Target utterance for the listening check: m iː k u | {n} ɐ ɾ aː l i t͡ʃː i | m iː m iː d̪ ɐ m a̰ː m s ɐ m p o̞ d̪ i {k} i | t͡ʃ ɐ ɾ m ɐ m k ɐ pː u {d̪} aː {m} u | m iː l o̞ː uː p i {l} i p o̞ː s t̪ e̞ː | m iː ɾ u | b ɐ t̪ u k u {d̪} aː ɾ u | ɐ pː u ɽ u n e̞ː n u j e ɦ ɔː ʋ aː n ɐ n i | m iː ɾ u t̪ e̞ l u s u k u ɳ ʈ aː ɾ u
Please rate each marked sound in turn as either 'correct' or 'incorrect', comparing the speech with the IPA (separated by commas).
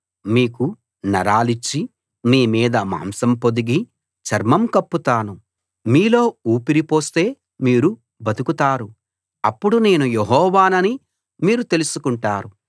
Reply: correct, incorrect, incorrect, incorrect, incorrect, incorrect